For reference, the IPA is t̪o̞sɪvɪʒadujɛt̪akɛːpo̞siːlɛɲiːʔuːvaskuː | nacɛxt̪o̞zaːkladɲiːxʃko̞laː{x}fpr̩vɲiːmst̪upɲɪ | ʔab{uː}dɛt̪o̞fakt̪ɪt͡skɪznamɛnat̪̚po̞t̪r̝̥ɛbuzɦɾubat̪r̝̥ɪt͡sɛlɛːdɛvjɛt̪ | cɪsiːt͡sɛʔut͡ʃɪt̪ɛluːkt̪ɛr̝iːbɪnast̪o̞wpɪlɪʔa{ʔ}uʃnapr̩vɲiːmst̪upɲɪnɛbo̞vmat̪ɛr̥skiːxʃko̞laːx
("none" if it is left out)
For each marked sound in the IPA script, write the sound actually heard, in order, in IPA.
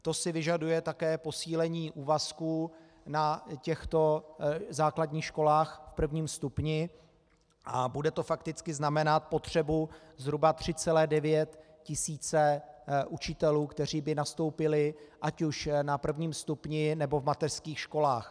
x, u, c

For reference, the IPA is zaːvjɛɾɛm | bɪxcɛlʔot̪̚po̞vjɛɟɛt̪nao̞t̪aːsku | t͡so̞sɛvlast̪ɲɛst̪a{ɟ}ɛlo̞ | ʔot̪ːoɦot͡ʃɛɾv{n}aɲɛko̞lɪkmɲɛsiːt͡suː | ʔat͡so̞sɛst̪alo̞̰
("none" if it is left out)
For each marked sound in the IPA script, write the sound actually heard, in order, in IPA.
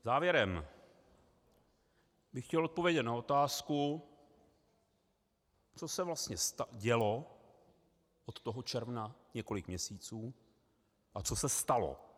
ɟ, n

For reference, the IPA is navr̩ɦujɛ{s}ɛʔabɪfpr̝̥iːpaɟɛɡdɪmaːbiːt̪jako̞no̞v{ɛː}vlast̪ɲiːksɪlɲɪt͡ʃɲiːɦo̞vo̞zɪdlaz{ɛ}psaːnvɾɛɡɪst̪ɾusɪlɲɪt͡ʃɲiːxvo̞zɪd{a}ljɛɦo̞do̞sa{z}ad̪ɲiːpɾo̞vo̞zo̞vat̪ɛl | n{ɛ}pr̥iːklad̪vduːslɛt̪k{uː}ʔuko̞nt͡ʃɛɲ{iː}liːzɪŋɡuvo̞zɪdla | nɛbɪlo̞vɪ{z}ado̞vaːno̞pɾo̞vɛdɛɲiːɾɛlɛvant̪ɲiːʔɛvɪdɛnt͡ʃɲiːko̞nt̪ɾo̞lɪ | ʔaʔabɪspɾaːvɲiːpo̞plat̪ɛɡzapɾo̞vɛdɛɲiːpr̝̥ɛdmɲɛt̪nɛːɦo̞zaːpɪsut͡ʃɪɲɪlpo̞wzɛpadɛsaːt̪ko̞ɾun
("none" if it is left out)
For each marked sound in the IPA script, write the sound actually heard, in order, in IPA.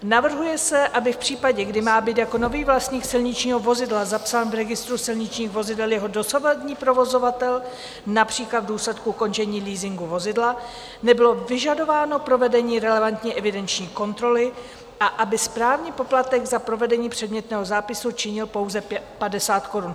s, iː, a, ɛ, v, a, u, iː, ʒ

